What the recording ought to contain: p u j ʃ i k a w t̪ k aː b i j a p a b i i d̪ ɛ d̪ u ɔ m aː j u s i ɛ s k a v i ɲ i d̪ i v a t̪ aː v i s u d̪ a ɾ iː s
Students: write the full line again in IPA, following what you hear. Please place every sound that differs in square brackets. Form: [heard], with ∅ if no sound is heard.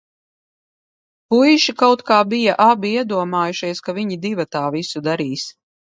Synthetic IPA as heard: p u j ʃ i k a w t̪ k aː b i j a [ʔ] a b i i [∅] ɛ d̪ u ɔ m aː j u [ʃ] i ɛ s k a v i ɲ i d̪ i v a t̪ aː v i s u d̪ a ɾ iː s